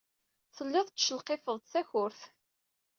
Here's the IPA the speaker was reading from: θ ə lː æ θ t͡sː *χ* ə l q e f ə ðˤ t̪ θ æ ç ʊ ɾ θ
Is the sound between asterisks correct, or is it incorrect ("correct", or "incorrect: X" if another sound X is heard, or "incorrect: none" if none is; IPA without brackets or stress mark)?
incorrect: ʃ